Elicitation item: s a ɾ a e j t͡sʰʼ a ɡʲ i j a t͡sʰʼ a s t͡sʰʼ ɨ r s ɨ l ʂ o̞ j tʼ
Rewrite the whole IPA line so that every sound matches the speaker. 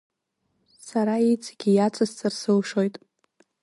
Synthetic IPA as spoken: s a ɾ a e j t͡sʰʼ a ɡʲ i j a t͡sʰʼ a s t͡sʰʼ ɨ r s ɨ l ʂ o̞ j tʼ

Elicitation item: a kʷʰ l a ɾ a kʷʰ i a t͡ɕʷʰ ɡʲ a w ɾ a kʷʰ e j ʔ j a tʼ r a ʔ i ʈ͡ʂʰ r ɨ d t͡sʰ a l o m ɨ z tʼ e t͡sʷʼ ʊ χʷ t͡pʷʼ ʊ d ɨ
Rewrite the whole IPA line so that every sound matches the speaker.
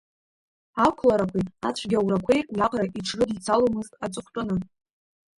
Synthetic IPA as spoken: a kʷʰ l a ɾ a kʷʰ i a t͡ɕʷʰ ɡʲ a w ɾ a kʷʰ e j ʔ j a qʼ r a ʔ i ʈ͡ʂʰ r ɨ d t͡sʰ a l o m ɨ z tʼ a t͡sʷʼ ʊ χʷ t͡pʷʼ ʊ n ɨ

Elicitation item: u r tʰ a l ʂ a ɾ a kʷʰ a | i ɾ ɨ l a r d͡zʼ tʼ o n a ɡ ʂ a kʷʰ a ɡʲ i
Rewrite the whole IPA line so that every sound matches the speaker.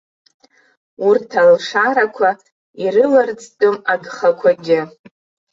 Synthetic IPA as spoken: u r tʰ a l ʂ a ɾ a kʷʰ a | i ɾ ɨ l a r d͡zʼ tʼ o m a ɡ χ a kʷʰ a ɡʲ ɪ

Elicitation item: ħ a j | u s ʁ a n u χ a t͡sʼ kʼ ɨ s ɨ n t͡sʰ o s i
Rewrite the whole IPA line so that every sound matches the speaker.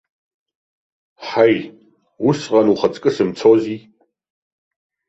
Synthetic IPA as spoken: ħ a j | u s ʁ a n u χ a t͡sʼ kʼ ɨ s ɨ m t͡sʰ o z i

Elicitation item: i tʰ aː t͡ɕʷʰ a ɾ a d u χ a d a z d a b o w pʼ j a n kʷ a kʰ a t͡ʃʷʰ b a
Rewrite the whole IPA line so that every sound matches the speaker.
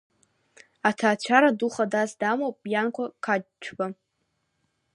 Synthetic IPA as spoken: a tʰ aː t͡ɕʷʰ a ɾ a d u χ a d a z d a m o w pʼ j a n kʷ a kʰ a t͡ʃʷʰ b a

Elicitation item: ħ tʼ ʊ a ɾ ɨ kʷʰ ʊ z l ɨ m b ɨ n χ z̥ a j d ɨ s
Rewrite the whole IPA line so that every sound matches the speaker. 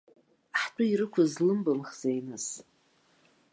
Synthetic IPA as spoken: ħ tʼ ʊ i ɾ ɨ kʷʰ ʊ z l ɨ m b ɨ m χ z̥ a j n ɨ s

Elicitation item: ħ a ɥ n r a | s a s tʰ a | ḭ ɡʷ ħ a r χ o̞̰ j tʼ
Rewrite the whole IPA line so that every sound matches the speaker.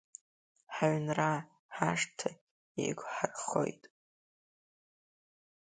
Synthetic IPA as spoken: ħ a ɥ n r a | ħ a ʂ tʰ a | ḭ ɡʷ ħ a r χ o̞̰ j tʼ

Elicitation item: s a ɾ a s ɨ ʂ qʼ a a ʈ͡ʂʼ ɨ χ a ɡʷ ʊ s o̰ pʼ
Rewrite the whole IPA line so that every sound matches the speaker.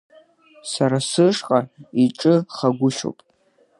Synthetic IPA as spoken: s a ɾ a s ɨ ʂ qʼ a i ʈ͡ʂʼ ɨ χ a ɡʷ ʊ ʃ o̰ pʼ

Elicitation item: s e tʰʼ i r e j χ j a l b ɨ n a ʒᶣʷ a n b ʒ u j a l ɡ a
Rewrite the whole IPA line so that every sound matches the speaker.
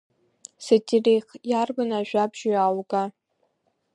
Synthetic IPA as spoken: s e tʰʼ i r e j χ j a r b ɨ n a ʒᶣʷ a b ʒ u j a l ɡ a

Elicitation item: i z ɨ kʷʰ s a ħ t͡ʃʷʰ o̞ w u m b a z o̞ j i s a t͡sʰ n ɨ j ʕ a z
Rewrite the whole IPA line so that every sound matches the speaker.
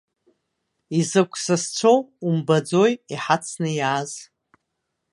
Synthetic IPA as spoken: i z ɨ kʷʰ s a s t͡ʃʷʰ o̞ w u m b a d͡z o̞ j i ħ a t͡sʰ n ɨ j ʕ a z

